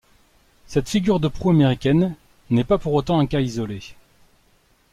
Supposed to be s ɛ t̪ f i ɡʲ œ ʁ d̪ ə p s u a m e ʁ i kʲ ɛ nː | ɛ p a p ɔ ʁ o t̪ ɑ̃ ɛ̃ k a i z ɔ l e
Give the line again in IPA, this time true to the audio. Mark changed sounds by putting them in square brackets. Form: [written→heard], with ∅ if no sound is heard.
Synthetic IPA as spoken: s ɛ t̪ f i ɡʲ [œ→y] ʁ d̪ ə p [s→χ] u a m e ʁ i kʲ ɛ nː | ɛ p a p [ɔ→u] ʁ o t̪ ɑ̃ ɛ̃ k a i z ɔ l e